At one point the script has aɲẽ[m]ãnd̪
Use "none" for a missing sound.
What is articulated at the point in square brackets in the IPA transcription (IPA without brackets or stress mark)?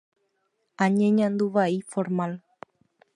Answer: ɲ